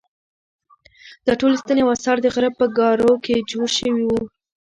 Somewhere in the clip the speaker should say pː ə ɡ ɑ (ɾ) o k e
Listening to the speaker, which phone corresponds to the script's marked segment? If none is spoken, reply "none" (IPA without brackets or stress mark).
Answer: ɾ